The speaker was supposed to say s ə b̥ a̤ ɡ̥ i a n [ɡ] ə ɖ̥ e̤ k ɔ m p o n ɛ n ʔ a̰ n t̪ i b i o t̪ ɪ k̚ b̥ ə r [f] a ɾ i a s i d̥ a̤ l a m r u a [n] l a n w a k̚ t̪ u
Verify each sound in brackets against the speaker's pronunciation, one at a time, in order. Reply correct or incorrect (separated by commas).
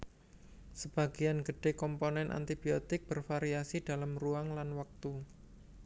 correct, correct, incorrect